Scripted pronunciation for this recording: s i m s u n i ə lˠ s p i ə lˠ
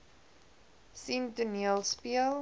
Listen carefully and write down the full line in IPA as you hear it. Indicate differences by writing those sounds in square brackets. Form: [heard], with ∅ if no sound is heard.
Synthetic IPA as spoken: s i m [t] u n i ə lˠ s p i ə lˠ